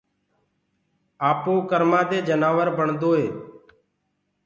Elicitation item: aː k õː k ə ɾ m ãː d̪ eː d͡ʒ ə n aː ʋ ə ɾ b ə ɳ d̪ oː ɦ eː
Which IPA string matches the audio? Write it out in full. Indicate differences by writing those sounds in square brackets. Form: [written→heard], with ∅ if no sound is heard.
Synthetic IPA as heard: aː [k→p] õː k ə ɾ m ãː d̪ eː d͡ʒ ə n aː ʋ ə ɾ b ə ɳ d̪ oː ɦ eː